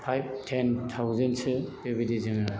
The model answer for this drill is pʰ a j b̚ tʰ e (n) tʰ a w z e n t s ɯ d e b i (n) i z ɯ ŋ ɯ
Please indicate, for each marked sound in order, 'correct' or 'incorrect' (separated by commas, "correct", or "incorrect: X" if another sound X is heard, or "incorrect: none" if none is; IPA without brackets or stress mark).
correct, incorrect: d